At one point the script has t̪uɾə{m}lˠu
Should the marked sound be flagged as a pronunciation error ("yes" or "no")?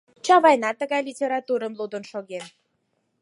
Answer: no